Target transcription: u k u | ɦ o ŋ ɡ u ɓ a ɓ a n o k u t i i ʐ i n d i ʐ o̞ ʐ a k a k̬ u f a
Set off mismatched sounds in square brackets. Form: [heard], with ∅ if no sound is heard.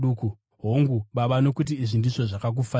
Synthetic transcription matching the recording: u k u | ɦ o ŋ ɡ u ɓ a ɓ a n o k u t i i ʐ i n d i ʐ o̞ ʐ a k a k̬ u f a

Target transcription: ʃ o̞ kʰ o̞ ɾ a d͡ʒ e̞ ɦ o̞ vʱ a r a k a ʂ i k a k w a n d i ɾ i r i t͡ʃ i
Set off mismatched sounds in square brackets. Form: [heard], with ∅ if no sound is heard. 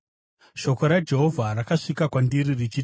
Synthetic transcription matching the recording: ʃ o̞ [k] o̞ ɾ a d͡ʒ e̞ ɦ o̞ vʱ a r a k a ʂ i k a k w a n d i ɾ i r i t͡ʃ i

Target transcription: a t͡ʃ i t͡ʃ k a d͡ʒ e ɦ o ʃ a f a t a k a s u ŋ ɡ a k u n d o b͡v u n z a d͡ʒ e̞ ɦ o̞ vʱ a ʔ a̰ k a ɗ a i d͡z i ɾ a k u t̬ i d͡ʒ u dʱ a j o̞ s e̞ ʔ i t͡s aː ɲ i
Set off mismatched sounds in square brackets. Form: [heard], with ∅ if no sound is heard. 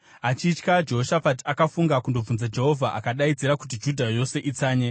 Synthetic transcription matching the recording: a t͡ʃ i t͡ʃ k a d͡ʒ e ɦ o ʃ a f a t a k a [f] u ŋ ɡ a k u n d o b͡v u n z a d͡ʒ e̞ ɦ o̞ vʱ a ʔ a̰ k a ɗ a i d͡z i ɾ a k u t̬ i d͡ʒ u dʱ a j o̞ s e̞ ʔ i t͡s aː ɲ [e]

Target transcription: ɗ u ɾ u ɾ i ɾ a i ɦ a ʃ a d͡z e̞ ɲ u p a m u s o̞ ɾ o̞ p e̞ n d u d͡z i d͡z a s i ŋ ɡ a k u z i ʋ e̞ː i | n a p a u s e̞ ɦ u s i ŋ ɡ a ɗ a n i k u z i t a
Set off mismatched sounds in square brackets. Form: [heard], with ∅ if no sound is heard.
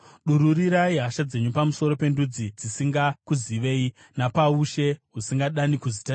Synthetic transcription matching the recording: ɗ u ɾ u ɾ i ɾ a i ɦ a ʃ a d͡z e̞ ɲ u p a m u s o̞ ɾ o̞ p e̞ n d u d͡z i d͡z [i] s i ŋ ɡ a k u z i ʋ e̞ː i | n a p a u [ʃ] e̞ ɦ u s i ŋ ɡ a ɗ a n i k u z i t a

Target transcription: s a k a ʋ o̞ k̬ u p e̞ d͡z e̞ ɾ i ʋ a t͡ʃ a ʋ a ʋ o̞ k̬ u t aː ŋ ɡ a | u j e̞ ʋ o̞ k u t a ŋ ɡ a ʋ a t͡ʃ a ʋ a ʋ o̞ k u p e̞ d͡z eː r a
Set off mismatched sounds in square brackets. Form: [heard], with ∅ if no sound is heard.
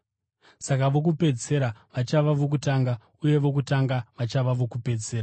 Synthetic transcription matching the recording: s a k a ʋ o̞ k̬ u p e̞ d͡z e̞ ɾ [a] ʋ a t͡ʃ a ʋ a ʋ o̞ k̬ u t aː ŋ ɡ a | u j e̞ ʋ o̞ k u t a ŋ ɡ a ʋ a t͡ʃ a ʋ a ʋ o̞ k u p e̞ d͡z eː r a

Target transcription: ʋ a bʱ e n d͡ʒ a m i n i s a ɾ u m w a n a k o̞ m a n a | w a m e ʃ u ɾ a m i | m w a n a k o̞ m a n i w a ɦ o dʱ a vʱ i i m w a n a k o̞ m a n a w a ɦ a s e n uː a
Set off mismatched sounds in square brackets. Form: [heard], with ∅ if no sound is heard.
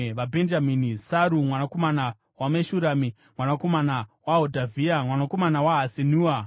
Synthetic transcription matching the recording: ʋ a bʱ e n d͡ʒ a m i n i s a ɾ u m w a n a k o̞ m a n a | w a m e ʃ u ɾ a m i | m w a n a k o̞ m a n [a] w a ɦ o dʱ a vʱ i [a] m w a n a k o̞ m a n a w a ɦ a s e n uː a

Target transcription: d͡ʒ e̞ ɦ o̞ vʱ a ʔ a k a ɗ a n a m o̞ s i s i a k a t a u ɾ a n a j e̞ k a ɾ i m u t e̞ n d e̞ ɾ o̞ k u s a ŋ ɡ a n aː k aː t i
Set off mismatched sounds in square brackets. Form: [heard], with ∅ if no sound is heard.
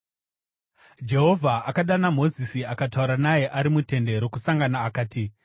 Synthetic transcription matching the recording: d͡ʒ e̞ ɦ o̞ vʱ a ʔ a k a ɗ a n a m o̞ [z] i s i a k a t a u ɾ a n a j e̞ [ʔ] a ɾ i m u t e̞ n d e̞ ɾ o̞ k u s a ŋ ɡ a n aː k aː t i

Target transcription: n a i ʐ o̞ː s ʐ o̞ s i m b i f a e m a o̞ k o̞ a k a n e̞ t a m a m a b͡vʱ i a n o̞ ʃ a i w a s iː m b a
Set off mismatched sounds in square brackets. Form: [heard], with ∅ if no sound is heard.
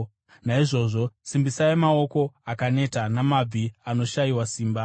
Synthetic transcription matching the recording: n a i ʐ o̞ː [∅] ʐ o̞ s i m b i [s] a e m a o̞ k o̞ a k a n e̞ t a [n] a m a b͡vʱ i a n o̞ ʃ a i w a s iː m b a

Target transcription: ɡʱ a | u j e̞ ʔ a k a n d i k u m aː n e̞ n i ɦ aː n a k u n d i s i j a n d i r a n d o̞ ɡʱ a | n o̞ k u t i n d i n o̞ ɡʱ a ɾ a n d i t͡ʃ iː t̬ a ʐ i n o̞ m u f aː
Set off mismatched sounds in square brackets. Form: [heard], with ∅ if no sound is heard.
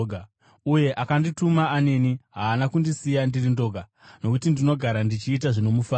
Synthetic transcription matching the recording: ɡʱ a | u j e̞ ʔ a k a n d i [t] u m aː n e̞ n i ɦ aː n a k u n d i s i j a n d i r [i] n d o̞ ɡʱ a | n o̞ k u t i n d i n o̞ ɡʱ a ɾ a n d i t͡ʃ iː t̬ a ʐ i n o̞ m u f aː

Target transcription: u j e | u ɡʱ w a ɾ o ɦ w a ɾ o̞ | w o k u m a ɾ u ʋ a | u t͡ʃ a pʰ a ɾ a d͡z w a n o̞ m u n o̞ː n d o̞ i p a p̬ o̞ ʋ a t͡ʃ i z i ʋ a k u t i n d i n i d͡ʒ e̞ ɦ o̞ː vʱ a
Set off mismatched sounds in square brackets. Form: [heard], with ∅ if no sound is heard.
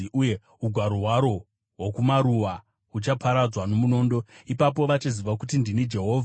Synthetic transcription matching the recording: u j e | u ɡʱ w a ɾ o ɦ w a ɾ o̞ | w o k u m a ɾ u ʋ a | u t͡ʃ a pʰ a ɾ a d͡z w a n o̞ m u n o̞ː n d o̞ i p a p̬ o̞ ʋ a t͡ʃ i z i ʋ a k u t i n d i n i d͡ʒ e̞ ɦ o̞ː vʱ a

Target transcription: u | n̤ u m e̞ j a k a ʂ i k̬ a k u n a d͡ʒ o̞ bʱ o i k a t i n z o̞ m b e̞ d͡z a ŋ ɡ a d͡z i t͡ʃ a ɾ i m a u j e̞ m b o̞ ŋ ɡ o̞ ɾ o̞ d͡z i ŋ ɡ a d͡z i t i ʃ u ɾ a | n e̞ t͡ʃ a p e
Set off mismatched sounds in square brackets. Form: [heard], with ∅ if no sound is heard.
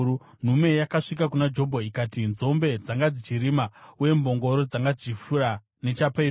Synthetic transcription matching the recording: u | n̤ u m e̞ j a k a ʂ i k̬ a k u n a d͡ʒ o̞ bʱ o i k a t i n z o̞ m b e̞ d͡z a ŋ ɡ a d͡z i t͡ʃ [i] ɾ i m a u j e̞ m b o̞ ŋ ɡ o̞ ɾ o̞ d͡z [a] ŋ ɡ a d͡z i [t͡ʃ] i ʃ u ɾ a | n e̞ t͡ʃ a p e

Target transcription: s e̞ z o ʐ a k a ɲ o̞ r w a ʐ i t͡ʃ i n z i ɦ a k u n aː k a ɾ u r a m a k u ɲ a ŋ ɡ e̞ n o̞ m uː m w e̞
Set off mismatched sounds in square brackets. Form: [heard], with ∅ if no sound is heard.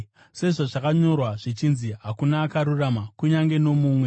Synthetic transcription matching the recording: s e̞ [ʐ] o ʐ a k a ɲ o̞ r w a ʐ i t͡ʃ i n z i ɦ a k u n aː k a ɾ u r a m a k u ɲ a ŋ ɡ e̞ n o̞ m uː m w e̞

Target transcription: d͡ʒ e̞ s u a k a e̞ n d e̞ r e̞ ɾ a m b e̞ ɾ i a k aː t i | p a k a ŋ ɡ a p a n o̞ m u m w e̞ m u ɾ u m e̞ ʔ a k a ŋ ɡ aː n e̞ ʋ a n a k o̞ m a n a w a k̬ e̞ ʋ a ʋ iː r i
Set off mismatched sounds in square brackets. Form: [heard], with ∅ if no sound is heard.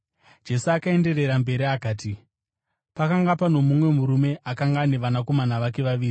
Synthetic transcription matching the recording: d͡ʒ e̞ s u a k a e̞ n d e̞ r e̞ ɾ a m b e̞ ɾ i a k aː t i | p a k a ŋ ɡ a p a n o̞ m u m w e̞ m u ɾ u m e̞ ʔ a k a ŋ ɡ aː n e̞ ʋ a n a k o̞ m a n a [ʋ] a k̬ e̞ ʋ a ʋ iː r i

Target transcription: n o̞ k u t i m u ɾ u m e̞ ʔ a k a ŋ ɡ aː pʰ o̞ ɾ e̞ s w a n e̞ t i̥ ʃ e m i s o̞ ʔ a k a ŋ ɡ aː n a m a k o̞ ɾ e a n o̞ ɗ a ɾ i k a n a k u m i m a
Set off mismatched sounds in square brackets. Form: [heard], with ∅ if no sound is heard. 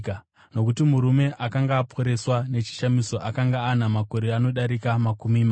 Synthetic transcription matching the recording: n o̞ k u t i m u ɾ u m e̞ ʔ a k a ŋ ɡ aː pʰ o̞ ɾ e̞ s w a n e̞ [t͡ʃ] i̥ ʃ [a] m i s o̞ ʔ a k a ŋ ɡ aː n a m a k o̞ ɾ e a n o̞ ɗ a ɾ i k a [m] a k u m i m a

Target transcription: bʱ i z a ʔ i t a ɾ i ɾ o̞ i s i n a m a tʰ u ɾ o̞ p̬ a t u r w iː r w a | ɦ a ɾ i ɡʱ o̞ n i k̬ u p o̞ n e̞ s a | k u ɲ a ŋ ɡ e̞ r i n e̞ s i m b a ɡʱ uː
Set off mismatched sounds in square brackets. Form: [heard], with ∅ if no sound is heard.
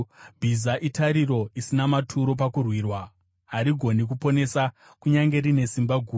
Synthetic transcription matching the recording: bʱ i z a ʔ i t a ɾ i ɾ o̞ i s i n a m a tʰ u ɾ o̞ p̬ a [k] u r w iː r w a | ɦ a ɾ i ɡʱ o̞ n i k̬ u p o̞ n e̞ s a | k u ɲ a ŋ ɡ e̞ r i n e̞ s i m b a ɡʱ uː

